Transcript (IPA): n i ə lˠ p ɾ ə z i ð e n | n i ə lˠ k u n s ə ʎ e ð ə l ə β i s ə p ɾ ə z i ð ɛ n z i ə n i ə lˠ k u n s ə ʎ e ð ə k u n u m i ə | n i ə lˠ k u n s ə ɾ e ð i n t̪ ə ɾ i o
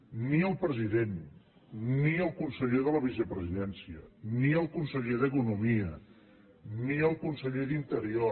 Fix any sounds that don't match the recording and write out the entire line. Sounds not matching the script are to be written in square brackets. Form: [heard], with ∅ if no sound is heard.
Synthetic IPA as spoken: n i ə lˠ p ɾ ə z i ð e n | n i ə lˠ k u n s ə ʎ e ð ə l ə β i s ə p ɾ ə z i ð ɛ n [s] i ə n i ə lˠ k u n s ə ʎ e ð ə k u n u m i ə | n i ə lˠ k u n s ə [ʎ] e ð i n t̪ ə ɾ i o